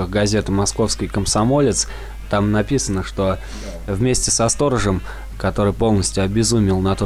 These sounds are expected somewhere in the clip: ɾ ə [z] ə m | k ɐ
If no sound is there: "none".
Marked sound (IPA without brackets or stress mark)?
ʐ